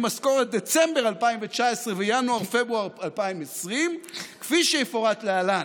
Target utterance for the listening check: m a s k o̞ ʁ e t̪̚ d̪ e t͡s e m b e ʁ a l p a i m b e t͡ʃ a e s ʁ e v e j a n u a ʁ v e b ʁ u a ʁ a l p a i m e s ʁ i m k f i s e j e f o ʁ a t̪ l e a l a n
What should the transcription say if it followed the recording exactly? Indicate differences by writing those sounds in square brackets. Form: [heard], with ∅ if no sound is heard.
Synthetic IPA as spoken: m a s k o̞ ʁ e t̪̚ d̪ e t͡s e m b e ʁ a l p a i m [v] e t͡ʃ a e s ʁ e v e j a n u a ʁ [f] e b ʁ u a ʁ a l p a i m e s ʁ i m k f i [ʃ] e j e f o ʁ a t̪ l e a l a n